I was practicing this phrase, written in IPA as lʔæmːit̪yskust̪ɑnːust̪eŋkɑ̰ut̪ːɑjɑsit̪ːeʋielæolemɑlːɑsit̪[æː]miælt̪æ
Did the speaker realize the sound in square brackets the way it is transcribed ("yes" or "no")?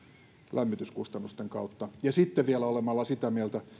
no